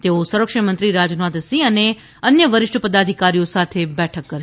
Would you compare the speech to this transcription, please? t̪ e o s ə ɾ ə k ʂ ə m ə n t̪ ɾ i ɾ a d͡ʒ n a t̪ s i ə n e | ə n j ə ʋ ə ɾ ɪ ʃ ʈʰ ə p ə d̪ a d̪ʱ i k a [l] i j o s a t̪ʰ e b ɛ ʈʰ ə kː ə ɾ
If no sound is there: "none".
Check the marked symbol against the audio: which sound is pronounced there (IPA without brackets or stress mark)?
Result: ɾ